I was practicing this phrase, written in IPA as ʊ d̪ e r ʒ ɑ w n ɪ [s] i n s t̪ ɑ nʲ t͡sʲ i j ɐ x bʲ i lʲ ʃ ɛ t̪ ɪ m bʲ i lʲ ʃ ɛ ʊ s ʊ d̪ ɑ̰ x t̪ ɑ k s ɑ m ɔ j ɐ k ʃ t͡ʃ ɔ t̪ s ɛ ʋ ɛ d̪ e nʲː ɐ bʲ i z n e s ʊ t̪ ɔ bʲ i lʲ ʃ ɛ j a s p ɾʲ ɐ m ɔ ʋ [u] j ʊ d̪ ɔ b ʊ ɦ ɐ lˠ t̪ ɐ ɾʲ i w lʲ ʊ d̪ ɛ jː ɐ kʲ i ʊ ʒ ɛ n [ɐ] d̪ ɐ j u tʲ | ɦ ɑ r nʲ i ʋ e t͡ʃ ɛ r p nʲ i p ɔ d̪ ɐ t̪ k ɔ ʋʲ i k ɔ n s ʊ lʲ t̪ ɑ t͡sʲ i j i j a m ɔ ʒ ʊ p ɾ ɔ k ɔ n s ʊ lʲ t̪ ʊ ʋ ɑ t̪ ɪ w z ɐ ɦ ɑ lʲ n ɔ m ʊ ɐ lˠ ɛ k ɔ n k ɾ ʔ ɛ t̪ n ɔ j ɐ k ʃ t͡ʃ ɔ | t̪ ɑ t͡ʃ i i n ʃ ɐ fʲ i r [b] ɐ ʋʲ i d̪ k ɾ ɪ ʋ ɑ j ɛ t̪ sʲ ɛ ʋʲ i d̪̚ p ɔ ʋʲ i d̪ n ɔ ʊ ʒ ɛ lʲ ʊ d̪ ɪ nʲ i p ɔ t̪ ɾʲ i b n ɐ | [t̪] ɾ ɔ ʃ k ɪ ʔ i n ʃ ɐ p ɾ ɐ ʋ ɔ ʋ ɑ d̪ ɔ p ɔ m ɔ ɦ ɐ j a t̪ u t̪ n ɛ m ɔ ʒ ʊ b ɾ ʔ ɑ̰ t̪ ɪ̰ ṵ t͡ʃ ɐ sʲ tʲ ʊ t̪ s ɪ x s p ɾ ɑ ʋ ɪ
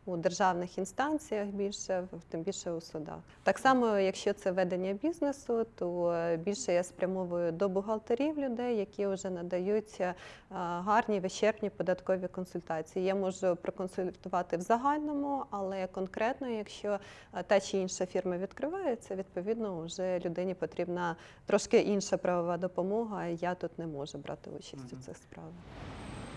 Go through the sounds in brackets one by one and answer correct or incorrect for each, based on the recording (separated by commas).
incorrect, incorrect, correct, incorrect, correct